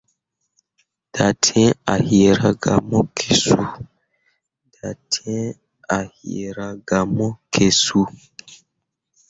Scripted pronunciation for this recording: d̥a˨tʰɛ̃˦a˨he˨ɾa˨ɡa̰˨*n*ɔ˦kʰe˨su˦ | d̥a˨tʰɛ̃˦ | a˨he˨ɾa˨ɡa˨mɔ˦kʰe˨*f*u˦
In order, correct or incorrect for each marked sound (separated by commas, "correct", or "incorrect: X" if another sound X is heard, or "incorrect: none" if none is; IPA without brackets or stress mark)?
incorrect: m, incorrect: s